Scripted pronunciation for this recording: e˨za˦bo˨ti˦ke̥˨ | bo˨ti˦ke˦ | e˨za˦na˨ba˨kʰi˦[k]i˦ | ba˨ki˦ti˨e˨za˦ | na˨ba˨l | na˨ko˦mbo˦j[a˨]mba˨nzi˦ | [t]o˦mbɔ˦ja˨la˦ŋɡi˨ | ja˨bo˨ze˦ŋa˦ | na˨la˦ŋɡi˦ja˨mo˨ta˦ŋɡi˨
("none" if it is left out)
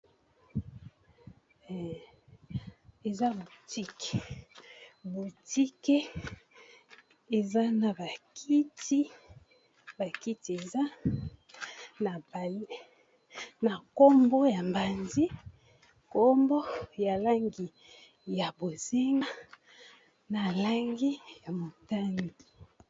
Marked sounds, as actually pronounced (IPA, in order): t, a˨, k

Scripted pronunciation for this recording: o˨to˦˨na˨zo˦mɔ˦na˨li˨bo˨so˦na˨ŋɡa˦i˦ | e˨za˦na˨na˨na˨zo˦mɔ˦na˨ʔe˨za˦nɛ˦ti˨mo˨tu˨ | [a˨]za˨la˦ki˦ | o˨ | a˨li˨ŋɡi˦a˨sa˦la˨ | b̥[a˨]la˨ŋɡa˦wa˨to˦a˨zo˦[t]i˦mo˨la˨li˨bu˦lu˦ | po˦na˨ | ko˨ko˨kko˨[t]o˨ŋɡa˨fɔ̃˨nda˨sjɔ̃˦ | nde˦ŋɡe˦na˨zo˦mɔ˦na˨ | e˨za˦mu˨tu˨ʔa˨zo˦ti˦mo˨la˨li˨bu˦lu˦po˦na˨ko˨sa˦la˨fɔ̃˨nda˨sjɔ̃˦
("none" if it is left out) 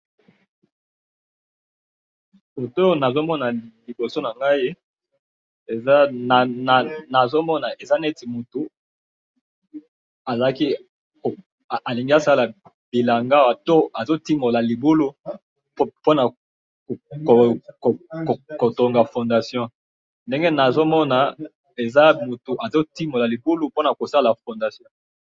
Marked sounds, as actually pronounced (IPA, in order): a˨, i˨, t, t

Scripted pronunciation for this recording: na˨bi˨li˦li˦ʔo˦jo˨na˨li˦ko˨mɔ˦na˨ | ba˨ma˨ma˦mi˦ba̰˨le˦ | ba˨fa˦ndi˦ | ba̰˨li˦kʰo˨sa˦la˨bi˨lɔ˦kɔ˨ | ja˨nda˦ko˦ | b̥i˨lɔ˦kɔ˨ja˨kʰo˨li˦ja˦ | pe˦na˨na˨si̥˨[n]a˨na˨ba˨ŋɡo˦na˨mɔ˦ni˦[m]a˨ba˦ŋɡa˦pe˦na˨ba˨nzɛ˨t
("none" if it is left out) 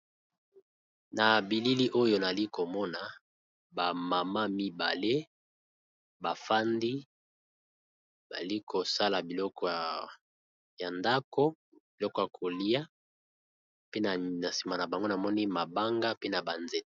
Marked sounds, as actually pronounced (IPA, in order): m, m

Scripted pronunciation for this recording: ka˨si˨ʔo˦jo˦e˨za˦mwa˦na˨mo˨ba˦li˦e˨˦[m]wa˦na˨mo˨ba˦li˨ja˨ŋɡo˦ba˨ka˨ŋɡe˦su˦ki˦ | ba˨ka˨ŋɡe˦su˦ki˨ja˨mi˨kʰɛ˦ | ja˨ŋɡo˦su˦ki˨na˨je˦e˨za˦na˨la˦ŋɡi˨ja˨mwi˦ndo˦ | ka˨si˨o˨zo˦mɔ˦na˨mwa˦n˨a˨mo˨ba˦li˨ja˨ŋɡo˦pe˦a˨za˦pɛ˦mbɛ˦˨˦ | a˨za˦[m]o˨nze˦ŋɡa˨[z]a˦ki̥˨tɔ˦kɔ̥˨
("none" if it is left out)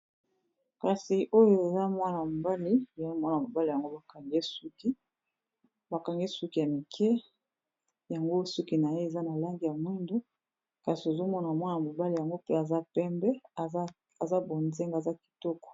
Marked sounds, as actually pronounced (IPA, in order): m, b, z

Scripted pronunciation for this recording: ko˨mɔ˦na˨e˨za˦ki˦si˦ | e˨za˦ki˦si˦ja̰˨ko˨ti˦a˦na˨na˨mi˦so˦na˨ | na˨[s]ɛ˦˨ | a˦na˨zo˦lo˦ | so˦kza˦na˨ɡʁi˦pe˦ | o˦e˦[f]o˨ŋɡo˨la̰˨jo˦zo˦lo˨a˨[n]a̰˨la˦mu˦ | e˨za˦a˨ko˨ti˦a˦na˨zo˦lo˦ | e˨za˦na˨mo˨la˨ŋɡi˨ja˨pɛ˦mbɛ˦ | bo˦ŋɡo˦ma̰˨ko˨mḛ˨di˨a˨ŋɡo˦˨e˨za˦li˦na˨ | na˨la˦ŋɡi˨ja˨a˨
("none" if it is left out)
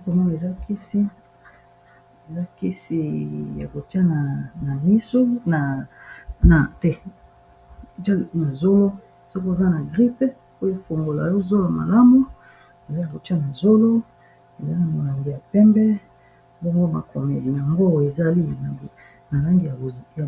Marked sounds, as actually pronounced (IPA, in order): t, f, m

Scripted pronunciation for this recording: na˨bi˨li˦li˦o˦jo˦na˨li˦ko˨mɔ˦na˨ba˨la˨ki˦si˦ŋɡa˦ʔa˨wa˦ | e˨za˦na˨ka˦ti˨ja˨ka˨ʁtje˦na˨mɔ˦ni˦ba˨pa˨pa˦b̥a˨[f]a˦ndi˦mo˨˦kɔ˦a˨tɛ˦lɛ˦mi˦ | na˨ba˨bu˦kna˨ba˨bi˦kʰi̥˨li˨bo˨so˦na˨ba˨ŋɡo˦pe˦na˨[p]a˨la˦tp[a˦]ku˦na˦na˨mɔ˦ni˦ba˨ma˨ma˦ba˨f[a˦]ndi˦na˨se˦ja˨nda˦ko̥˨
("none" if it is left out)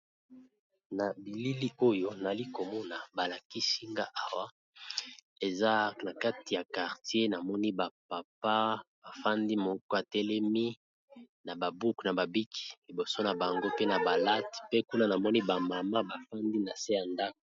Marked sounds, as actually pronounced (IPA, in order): f, b, e˦, a˦

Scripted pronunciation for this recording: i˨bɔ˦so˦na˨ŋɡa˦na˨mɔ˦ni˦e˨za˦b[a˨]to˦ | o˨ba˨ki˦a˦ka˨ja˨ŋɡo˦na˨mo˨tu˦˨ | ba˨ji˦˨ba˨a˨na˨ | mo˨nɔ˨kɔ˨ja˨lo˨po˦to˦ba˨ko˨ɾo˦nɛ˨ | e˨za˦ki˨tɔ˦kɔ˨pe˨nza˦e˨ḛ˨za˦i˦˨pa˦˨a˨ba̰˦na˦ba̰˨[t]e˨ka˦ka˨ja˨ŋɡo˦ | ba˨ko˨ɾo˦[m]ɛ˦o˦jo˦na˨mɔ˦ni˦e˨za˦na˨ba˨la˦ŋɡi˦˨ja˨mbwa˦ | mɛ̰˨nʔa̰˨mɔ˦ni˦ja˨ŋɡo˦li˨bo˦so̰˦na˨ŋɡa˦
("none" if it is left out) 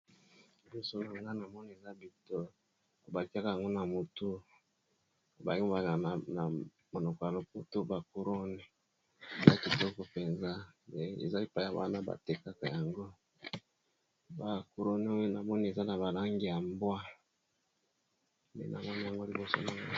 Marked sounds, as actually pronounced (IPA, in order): i˨, t, n

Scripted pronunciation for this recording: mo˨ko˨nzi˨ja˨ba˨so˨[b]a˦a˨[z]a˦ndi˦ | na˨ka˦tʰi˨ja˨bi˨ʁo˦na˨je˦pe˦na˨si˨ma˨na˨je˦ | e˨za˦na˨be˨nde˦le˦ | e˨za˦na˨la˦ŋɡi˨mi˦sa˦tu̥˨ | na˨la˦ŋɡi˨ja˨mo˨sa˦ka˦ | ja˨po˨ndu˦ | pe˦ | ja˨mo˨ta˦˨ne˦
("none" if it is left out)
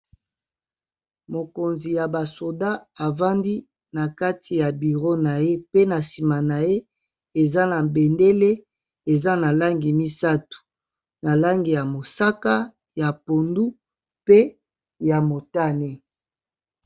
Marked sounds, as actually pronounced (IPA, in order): d, v

